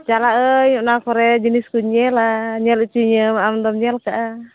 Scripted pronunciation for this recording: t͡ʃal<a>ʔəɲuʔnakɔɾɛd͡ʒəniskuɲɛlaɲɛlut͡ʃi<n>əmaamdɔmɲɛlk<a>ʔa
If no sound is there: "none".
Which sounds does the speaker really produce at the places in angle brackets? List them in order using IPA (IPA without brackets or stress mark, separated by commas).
a, ɲ, a